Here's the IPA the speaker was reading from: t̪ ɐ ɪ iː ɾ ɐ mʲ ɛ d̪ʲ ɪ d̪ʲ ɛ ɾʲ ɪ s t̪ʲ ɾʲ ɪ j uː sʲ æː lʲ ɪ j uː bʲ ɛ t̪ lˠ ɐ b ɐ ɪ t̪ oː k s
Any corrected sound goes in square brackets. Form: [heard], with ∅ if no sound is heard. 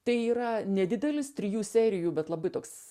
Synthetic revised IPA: t̪ ɐ ɪ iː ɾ ɐ [nʲ] ɛ d̪ʲ ɪ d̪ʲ ɛ [lʲ] ɪ s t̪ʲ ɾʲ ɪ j uː sʲ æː [ɾʲ] ɪ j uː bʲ ɛ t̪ lˠ ɐ b ɐ ɪ t̪ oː k s